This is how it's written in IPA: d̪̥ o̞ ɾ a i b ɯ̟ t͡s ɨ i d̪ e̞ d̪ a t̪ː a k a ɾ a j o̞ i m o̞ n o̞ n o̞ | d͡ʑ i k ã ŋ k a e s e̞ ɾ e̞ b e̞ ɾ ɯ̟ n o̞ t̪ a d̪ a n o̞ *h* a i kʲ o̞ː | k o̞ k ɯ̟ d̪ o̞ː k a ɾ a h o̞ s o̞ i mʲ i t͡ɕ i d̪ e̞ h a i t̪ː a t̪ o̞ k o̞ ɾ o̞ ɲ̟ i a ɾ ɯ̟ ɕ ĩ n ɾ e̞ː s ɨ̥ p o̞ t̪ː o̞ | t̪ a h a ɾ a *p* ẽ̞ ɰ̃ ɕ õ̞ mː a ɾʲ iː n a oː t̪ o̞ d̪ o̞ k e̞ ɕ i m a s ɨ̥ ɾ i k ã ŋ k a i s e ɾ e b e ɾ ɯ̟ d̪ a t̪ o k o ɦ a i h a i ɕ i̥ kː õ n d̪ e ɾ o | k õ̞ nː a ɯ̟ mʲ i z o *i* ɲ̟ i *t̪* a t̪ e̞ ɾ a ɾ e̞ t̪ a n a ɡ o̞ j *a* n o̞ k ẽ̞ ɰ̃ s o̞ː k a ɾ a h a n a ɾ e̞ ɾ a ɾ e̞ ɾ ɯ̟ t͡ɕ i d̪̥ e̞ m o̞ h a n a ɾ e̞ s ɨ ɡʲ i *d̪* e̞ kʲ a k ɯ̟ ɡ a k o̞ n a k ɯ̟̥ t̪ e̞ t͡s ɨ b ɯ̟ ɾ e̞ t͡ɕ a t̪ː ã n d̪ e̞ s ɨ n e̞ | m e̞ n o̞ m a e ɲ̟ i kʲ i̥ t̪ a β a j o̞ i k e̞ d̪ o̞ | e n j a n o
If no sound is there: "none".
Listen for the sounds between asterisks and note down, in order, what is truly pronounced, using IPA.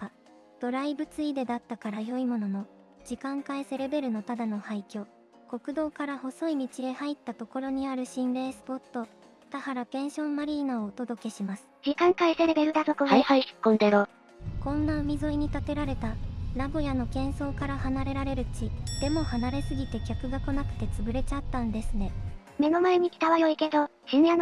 h, p, i, t̪, a, t̪

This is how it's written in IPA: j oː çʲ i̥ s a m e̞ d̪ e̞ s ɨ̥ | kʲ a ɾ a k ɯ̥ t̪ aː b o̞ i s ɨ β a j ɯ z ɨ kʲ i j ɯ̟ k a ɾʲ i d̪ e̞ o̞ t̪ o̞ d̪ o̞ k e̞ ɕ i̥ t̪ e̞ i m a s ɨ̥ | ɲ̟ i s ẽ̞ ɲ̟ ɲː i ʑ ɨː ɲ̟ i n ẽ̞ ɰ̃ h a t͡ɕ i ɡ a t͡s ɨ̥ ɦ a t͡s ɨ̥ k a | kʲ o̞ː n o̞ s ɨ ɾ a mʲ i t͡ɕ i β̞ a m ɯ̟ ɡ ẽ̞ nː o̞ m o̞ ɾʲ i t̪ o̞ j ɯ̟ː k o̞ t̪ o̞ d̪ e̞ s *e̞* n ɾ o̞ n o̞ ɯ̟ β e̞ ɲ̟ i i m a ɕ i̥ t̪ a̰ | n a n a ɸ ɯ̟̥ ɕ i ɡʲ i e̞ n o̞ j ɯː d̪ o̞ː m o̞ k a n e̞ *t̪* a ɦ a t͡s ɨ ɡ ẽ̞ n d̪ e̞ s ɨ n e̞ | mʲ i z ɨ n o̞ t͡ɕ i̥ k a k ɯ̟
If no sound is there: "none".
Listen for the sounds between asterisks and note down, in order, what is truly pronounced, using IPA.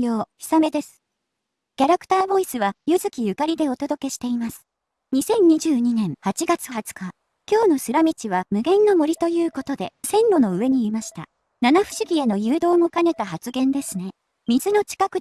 ẽ̞, t̪

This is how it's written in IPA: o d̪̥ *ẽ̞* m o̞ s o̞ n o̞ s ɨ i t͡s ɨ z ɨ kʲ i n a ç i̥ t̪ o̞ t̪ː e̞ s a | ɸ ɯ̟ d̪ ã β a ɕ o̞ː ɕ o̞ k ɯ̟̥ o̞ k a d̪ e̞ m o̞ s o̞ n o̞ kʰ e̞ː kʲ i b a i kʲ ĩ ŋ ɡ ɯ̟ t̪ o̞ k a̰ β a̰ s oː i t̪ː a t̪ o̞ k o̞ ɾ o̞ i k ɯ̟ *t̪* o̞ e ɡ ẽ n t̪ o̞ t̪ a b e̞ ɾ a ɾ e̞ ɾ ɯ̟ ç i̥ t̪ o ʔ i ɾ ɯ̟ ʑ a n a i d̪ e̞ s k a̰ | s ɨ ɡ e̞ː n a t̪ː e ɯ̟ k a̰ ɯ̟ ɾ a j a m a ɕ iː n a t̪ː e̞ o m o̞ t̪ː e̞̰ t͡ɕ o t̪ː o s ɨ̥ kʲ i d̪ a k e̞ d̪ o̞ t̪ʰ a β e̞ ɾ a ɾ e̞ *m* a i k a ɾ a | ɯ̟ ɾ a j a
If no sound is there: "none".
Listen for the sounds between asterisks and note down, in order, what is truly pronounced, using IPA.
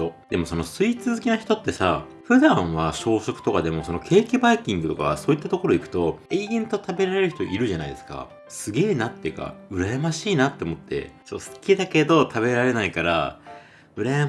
e̞, t̪, n

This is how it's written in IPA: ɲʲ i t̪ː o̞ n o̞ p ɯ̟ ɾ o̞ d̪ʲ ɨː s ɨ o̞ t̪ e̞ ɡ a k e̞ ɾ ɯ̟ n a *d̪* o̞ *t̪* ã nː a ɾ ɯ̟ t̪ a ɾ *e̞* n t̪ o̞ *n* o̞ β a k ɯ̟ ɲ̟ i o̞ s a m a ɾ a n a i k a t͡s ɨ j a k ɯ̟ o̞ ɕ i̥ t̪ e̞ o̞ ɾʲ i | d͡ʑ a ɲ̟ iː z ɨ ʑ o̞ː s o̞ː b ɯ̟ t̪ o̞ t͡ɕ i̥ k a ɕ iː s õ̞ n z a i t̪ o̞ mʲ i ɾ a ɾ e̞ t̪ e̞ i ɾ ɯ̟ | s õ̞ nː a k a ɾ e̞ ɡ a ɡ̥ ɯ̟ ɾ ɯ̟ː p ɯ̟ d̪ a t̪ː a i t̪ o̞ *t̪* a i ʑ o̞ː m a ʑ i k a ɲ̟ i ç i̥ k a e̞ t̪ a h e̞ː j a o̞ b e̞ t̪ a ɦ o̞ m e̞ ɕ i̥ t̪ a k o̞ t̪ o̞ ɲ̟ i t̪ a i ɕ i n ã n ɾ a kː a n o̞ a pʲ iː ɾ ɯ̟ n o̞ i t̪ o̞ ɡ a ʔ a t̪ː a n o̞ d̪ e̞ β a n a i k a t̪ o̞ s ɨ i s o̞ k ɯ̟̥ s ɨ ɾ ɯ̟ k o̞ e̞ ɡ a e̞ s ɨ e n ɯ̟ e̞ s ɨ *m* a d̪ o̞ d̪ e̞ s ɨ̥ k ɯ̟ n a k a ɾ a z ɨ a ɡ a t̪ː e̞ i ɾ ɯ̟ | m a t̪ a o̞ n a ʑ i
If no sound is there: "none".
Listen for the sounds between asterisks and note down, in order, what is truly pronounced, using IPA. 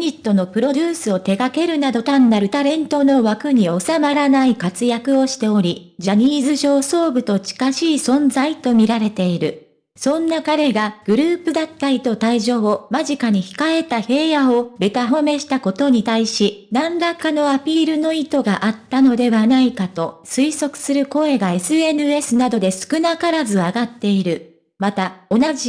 d̪, t̪, ẽ̞, n, t̪, n

